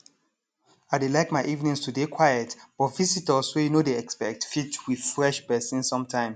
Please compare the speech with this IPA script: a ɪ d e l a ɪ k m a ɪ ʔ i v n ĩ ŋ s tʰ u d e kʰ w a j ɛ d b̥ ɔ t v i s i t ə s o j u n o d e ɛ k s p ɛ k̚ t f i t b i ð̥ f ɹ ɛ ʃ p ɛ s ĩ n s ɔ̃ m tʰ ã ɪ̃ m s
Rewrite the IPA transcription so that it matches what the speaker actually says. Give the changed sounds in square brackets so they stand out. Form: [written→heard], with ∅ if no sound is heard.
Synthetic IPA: a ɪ d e l a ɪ k m a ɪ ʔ i v n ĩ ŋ s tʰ u d e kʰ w a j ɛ [d→t] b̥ ɔ t v i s i t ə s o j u n o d e ɛ k s p ɛ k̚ t f i t [b→w] i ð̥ f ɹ ɛ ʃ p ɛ s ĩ n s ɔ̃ m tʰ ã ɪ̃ m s